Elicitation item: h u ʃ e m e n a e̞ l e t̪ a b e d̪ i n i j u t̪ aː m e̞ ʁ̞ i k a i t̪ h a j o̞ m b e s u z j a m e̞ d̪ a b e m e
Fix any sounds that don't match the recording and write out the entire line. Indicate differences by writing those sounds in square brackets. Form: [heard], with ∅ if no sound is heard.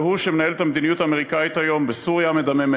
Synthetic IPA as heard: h u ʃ e m e n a e̞ l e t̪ a [m] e d̪ i n i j u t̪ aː m e̞ ʁ̞ i k a i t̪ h a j o̞ m b e s u [ʁ] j a m e̞ d̪ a [m] e m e

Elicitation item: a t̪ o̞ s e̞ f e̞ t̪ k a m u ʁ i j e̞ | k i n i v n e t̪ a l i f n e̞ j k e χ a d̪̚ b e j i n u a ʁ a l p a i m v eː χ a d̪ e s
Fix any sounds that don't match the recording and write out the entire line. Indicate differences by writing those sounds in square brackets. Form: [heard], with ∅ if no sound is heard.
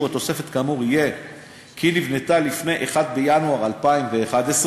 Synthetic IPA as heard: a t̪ o̞ s e̞ f e̞ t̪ k a m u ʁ i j e̞ | k i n i v n e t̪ a l i f n e̞ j [ʔ] e χ a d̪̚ b e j [a] n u a ʁ a l p a i m v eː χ a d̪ e s

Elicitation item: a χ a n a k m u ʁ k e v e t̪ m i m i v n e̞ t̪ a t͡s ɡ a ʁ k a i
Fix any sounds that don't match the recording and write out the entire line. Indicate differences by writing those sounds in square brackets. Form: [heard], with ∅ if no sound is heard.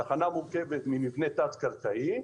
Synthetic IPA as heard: a χ a n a [∅] m u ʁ k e v e t̪ m i m i v n e̞ t̪ a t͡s [k] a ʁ k a i

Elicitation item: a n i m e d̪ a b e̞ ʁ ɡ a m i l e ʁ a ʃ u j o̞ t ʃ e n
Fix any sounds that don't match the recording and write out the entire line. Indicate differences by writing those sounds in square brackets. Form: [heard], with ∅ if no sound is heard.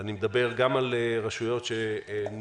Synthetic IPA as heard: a n i m e d̪ a b e̞ ʁ ɡ a m [a] l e ʁ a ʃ u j o̞ t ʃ e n

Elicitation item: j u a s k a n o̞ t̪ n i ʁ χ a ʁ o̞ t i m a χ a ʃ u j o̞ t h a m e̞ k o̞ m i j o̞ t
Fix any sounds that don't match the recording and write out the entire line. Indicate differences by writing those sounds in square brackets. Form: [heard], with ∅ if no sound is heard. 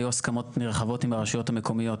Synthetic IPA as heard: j u a s k a [m] o̞ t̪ n i ʁ χ a [v] o̞ t i m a [ʁ] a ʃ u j o̞ t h a m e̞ k o̞ m i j o̞ t

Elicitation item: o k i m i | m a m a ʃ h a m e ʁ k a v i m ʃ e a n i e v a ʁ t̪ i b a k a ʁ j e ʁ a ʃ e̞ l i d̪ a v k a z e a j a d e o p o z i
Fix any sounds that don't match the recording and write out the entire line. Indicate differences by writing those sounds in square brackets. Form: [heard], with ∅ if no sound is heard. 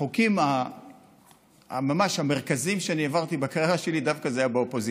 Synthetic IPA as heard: o k i m [a] | m a m a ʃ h a m e ʁ k a [z] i m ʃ e a n i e v a ʁ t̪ i b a k a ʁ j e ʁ a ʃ e̞ l i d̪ a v k a z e a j a [b] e o p o z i

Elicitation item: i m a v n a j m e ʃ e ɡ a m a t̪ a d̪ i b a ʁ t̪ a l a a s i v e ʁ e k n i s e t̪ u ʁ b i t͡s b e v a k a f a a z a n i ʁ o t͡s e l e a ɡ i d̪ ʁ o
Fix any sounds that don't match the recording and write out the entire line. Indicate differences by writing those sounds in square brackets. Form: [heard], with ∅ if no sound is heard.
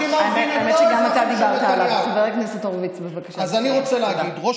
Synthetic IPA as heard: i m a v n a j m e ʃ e ɡ a m a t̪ a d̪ i b a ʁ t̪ a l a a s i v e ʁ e k n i s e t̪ [o] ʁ [v] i t͡s b e v a k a [ʃ] a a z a n i ʁ o t͡s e l e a ɡ i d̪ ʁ o

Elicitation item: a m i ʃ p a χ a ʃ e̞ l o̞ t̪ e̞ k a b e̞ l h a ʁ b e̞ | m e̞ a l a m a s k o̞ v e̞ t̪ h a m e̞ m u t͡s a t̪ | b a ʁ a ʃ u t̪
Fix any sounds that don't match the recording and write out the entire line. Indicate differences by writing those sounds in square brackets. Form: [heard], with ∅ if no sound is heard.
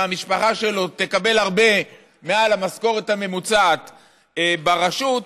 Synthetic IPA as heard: a m i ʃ p a χ a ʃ e̞ l o̞ t̪ e̞ k a b e̞ l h a ʁ b e̞ | m e̞ a l a m a s k o̞ [ʁ] e̞ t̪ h a m e̞ m u t͡s a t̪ | b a ʁ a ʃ u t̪

